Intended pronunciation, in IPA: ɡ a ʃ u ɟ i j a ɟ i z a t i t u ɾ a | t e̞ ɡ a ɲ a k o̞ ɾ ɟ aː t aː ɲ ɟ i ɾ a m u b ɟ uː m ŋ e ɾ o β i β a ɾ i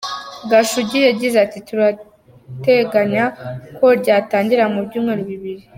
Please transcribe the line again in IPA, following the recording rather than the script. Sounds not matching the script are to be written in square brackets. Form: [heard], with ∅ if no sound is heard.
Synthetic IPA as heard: ɡ a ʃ u ɟ i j a ɟ i z a t i t u ɾ a | t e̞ ɡ a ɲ a k o̞ ɾ ɟ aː t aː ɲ ɟ i ɾ a m u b ɟ uː m ŋ e ɾ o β i β [i] ɾ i